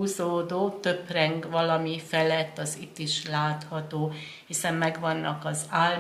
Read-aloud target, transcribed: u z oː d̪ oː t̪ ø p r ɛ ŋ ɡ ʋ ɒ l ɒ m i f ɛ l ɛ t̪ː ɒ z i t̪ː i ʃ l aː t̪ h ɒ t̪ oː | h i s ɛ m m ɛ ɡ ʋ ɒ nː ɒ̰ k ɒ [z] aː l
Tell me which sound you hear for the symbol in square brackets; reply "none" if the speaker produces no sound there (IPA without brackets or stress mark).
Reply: z